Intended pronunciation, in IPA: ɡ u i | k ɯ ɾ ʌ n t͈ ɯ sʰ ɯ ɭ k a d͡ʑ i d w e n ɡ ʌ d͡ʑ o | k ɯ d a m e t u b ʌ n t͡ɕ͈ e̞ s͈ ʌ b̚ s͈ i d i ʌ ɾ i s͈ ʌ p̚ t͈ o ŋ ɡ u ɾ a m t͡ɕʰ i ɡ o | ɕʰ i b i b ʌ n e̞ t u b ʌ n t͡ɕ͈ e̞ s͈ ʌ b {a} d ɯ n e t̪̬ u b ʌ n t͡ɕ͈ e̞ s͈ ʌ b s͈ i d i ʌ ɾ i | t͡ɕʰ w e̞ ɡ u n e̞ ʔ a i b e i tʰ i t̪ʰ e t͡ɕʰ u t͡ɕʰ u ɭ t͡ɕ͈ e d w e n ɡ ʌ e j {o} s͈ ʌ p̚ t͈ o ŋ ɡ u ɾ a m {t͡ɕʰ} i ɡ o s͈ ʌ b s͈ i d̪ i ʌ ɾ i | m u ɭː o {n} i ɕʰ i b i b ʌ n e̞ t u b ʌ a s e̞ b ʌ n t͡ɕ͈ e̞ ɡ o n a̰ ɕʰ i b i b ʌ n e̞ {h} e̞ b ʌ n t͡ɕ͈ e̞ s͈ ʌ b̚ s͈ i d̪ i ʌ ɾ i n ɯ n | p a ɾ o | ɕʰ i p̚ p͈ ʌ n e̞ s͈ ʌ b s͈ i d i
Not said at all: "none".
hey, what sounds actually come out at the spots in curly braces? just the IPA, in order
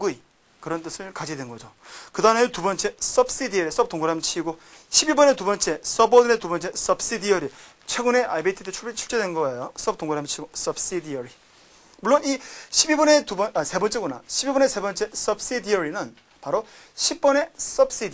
ʌ, o, t͡ɕʰ, n, s

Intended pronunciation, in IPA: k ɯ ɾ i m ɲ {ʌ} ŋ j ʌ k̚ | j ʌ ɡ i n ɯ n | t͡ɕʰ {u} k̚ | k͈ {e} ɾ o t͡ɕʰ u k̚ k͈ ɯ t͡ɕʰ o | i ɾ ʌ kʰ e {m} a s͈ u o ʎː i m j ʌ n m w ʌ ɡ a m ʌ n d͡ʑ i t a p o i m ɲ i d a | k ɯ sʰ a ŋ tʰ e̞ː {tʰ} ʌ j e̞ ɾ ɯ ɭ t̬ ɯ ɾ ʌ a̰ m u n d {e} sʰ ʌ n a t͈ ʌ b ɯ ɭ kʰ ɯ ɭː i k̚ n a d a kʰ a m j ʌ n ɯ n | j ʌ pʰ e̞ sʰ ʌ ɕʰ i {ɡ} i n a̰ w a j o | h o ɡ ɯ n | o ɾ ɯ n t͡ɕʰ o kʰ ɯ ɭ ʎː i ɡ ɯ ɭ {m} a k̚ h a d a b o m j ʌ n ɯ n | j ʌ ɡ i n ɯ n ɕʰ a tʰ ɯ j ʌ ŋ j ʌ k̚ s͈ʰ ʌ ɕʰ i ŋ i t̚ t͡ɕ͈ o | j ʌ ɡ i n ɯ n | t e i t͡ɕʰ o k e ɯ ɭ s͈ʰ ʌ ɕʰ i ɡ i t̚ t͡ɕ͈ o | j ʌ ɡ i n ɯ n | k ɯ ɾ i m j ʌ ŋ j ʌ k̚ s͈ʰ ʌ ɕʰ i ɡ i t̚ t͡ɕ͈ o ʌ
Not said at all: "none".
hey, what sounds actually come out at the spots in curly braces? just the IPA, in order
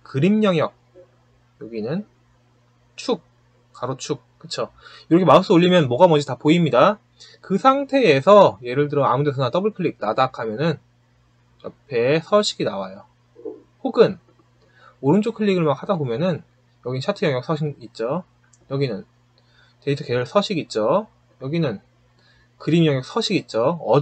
ʌ, u, a, m, sʰ, e, ɡ, m

